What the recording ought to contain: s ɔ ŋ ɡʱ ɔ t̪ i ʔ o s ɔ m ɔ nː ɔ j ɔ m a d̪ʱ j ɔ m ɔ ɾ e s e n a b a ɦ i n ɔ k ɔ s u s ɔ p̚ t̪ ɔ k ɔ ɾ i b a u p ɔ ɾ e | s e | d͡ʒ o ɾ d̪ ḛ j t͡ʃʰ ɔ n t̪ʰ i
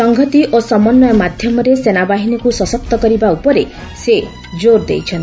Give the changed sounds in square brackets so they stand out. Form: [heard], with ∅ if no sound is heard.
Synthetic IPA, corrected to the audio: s ɔ ŋ ɡʱ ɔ t̪ i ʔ o s ɔ m ɔ nː ɔ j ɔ m a d̪ʱ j ɔ m ɔ ɾ e s e n a b a ɦ i n ɔ k [u] s [ɔ] s ɔ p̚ t̪ ɔ k ɔ ɾ i b a u p ɔ ɾ e | s e | d͡ʒ o ɾ d̪ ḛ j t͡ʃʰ ɔ n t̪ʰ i